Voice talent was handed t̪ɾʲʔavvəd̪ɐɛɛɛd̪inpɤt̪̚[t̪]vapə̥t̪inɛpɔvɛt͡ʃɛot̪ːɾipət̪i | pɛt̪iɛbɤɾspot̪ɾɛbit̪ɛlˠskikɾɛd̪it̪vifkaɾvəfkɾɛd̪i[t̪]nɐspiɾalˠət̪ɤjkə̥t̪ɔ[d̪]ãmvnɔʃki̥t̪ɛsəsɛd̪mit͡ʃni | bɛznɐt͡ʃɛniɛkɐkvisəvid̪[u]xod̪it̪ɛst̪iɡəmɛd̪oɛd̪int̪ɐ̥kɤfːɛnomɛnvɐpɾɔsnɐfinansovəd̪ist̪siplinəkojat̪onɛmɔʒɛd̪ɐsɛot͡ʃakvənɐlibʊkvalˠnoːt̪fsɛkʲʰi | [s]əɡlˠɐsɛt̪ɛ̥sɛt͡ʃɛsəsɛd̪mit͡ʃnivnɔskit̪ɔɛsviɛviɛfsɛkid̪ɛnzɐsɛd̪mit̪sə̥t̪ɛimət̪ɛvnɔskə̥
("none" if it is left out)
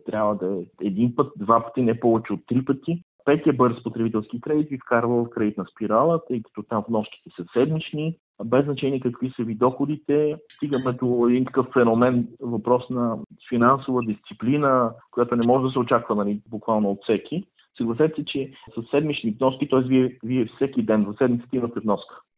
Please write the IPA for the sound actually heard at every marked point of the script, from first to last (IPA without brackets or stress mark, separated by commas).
d̪, t̪, t̪, ɔ, s